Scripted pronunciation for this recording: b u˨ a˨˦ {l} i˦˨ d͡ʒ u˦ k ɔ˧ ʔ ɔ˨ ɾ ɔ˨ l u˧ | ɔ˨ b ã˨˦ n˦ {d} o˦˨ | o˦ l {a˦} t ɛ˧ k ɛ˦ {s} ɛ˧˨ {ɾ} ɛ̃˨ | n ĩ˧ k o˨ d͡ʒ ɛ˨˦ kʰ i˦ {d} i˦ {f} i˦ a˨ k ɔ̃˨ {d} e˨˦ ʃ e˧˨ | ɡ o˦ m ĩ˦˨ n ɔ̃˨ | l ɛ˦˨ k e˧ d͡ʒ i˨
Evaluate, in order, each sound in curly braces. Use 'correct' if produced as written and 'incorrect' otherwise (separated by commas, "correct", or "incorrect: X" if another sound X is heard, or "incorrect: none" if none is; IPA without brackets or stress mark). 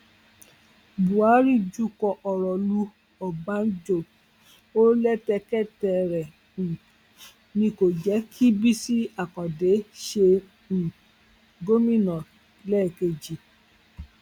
incorrect: ɾ, incorrect: d͡ʒ, incorrect: ɛ˦, incorrect: t, correct, incorrect: b, incorrect: s, correct